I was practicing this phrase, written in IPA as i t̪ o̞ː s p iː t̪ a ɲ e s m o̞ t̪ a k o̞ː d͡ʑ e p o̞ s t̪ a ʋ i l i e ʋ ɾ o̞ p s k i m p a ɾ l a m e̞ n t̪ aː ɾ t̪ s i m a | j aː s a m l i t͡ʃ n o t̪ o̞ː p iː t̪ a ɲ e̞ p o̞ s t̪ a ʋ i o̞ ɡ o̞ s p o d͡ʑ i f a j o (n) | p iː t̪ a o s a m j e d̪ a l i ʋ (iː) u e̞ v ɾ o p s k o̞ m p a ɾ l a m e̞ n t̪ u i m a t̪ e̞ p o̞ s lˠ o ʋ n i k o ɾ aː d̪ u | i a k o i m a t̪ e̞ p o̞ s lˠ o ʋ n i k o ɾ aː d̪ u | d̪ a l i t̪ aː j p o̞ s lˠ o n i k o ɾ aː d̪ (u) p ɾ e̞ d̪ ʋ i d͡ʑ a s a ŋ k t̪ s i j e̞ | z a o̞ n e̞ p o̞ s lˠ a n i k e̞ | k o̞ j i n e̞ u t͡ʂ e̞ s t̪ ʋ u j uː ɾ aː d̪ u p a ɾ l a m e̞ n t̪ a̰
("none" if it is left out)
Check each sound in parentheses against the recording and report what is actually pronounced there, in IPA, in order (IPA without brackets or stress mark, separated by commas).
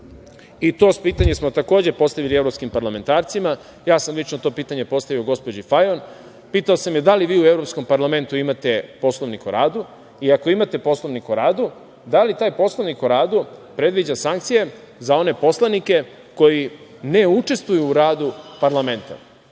n, iː, u